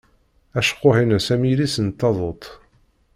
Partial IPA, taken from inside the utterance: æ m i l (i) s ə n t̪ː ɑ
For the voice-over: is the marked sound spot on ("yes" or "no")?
yes